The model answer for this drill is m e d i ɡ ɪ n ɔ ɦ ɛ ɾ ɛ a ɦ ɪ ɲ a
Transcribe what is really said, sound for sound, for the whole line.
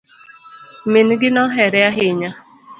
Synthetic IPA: m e n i ɡ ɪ n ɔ ɦ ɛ ɾ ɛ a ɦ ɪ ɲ a